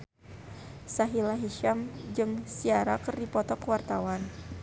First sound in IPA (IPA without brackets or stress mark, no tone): s